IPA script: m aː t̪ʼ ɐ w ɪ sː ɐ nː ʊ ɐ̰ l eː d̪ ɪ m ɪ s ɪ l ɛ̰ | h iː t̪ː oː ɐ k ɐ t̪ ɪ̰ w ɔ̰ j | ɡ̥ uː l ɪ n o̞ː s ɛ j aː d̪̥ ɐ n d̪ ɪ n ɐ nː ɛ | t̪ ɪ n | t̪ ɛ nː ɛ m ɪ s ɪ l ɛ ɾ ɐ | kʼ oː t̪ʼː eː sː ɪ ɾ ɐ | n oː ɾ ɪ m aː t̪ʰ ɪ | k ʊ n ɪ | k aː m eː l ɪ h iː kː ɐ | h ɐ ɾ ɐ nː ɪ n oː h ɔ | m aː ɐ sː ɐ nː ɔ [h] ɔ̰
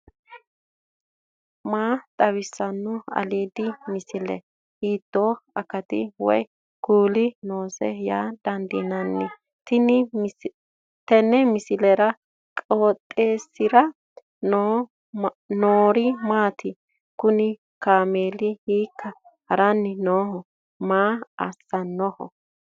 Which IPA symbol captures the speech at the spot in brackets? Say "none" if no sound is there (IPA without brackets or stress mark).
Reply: h